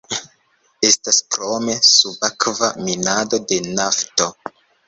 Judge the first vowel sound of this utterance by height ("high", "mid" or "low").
mid